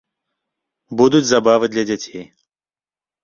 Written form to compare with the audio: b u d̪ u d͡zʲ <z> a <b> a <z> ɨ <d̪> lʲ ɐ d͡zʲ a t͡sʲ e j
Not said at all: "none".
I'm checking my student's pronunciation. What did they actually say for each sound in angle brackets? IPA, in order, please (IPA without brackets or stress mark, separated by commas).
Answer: z, b, v, d̪